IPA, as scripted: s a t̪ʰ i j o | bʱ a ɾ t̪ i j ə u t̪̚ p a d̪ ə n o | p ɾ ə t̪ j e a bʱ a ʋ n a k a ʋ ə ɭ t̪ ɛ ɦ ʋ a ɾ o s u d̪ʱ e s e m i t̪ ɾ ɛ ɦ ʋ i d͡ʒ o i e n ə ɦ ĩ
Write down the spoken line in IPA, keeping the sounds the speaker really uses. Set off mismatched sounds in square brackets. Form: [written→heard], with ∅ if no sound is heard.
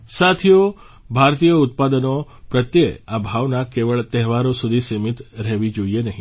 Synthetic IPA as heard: s a t̪ʰ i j o | bʱ a ɾ t̪ i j ə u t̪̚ p a d̪ ə n o | p ɾ ə t̪ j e a bʱ a ʋ n a k [a→e] ʋ ə ɭ t̪ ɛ ɦ ʋ a ɾ o s u d̪ʱ [e→i] s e m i t̪ ɾ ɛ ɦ ʋ i d͡ʒ o i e n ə ɦ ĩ